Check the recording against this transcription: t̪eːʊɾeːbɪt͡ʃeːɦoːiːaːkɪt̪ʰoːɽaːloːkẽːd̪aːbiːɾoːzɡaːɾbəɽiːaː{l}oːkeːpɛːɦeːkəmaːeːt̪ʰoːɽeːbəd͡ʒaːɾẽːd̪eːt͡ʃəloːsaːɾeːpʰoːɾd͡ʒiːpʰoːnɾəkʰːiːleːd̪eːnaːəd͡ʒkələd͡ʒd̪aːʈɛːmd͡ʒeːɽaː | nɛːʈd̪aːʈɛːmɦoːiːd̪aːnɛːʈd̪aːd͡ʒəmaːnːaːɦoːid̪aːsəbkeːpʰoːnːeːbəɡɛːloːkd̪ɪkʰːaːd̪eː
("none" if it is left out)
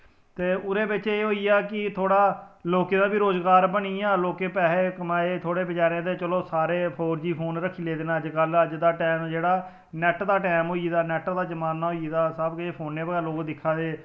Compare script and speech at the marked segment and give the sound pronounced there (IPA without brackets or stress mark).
l